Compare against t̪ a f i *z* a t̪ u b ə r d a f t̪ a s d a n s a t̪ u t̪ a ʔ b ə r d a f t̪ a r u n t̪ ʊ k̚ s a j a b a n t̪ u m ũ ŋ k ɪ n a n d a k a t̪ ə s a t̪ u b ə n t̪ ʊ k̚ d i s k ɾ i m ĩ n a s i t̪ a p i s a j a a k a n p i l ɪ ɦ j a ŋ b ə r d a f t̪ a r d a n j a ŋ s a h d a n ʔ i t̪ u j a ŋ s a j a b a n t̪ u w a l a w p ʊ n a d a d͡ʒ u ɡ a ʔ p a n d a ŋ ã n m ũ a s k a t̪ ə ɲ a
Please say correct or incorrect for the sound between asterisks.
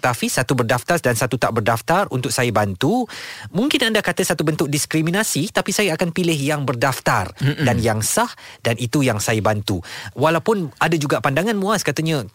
incorrect